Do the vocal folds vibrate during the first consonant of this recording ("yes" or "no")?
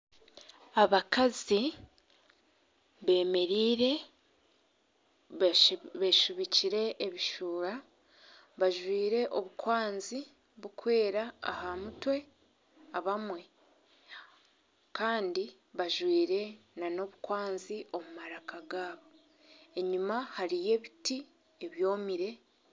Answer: yes